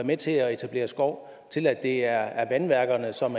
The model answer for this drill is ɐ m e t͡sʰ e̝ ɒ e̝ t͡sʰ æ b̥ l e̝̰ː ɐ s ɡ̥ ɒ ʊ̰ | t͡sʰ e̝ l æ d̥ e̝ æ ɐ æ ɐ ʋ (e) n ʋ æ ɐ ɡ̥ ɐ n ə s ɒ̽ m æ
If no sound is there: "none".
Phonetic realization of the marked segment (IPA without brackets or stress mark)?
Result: æ